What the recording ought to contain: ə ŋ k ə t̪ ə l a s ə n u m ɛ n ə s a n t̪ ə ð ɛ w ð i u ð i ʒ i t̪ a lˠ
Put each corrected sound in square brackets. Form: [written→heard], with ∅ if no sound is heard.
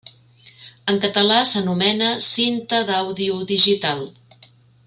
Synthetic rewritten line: ə ŋ k ə t̪ ə l a s ə n u m ɛ n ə s [a→i] n t̪ ə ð [ɛ→a] w ð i u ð i ʒ i t̪ a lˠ